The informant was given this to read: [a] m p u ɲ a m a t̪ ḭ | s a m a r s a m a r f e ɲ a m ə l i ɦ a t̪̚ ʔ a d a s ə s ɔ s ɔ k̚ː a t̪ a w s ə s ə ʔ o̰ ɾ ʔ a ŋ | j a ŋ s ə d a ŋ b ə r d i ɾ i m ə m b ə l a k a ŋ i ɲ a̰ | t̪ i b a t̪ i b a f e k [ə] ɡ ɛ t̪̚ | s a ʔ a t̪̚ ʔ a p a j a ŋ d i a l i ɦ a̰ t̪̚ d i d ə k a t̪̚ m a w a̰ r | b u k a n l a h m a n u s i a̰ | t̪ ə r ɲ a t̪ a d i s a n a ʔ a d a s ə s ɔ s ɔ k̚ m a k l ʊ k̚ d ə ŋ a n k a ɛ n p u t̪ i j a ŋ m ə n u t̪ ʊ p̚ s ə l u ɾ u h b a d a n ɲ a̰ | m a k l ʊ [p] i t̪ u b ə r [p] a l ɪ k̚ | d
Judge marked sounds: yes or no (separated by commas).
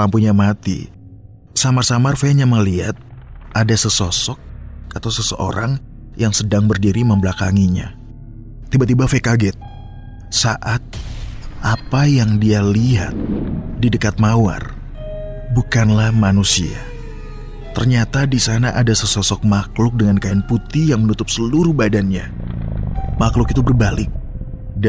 yes, no, no, no